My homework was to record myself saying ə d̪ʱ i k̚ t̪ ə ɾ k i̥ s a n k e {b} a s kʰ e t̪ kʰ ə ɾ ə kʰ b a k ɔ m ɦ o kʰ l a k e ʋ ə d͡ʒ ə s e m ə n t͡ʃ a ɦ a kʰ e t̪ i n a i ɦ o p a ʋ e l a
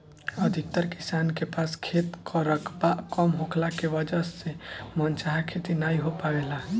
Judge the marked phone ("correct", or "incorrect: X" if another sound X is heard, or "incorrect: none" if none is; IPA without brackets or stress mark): incorrect: p